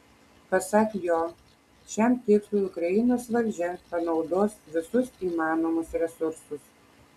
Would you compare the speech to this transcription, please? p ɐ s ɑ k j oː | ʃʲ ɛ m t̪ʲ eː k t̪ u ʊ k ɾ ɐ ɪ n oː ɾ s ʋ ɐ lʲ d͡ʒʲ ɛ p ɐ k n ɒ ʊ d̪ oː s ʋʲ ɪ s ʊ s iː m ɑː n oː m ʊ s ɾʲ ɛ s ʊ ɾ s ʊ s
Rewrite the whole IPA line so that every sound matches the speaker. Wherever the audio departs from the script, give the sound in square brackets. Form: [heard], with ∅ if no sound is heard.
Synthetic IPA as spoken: p ɐ s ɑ k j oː | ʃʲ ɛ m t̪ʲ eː k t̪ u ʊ k ɾ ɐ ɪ n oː [∅] s ʋ ɐ lʲ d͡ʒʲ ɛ p ɐ [∅] n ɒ ʊ d̪ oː s ʋʲ ɪ s ʊ s iː m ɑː n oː m ʊ s ɾʲ ɛ s ʊ ɾ s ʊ s